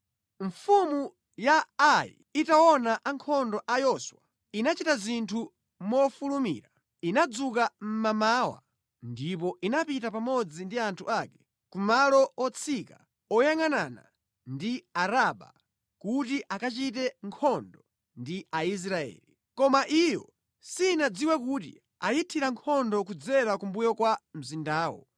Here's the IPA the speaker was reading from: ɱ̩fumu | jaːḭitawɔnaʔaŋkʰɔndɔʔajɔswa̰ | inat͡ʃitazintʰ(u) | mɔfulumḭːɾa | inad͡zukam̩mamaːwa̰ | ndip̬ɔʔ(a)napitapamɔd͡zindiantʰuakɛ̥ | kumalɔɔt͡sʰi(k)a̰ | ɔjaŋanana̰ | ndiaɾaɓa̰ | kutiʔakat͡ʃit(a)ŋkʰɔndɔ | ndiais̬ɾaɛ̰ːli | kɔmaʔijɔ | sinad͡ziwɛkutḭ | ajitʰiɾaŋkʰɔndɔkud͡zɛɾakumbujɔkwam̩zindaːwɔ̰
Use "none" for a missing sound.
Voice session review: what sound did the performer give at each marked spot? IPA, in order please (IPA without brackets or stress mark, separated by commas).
u, i, k, ɛ